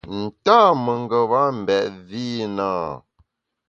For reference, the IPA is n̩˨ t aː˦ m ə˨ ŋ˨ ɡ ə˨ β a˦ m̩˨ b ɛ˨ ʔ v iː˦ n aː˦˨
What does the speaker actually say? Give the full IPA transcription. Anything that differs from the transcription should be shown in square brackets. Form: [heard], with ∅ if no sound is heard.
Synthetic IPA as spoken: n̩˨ t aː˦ m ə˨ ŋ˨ ɡ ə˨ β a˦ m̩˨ b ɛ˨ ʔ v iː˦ n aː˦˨